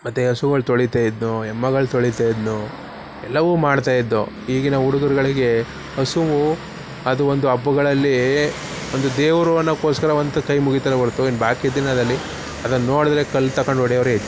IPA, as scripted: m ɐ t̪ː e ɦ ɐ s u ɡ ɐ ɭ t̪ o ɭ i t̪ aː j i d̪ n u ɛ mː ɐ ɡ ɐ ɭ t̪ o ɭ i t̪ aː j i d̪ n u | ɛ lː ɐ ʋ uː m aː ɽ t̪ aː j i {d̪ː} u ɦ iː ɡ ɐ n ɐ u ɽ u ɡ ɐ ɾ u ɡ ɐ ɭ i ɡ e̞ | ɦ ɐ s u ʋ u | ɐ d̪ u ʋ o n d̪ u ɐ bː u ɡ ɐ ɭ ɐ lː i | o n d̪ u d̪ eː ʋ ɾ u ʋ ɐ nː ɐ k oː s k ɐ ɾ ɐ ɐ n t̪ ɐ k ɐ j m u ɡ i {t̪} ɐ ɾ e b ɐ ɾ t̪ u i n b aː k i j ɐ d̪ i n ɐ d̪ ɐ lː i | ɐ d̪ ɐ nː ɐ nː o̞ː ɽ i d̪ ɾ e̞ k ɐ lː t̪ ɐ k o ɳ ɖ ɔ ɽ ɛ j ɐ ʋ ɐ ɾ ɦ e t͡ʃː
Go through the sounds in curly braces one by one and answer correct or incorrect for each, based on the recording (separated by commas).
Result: correct, correct